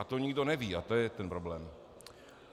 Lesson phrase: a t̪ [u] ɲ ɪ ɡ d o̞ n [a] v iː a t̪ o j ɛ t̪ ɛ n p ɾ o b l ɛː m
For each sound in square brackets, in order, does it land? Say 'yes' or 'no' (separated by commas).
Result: no, no